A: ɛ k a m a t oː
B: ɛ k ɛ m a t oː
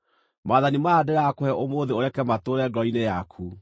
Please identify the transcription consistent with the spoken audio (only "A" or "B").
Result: B